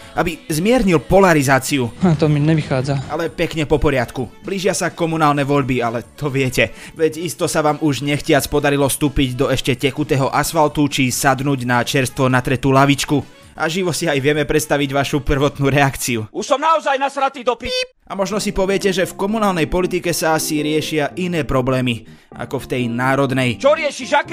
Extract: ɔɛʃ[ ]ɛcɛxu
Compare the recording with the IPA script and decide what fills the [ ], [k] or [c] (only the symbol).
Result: c